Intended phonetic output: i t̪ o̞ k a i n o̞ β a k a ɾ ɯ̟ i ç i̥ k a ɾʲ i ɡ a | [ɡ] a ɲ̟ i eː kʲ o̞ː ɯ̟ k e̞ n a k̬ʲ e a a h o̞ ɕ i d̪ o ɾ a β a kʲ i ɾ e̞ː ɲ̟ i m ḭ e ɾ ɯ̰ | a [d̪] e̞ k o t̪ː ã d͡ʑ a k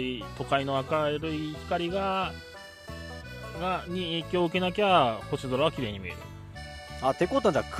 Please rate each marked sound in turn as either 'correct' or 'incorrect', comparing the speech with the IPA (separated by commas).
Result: correct, incorrect